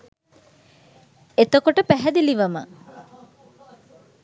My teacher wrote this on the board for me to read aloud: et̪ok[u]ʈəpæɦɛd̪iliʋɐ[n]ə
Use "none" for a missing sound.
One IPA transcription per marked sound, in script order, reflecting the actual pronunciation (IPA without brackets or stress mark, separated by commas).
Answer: o, m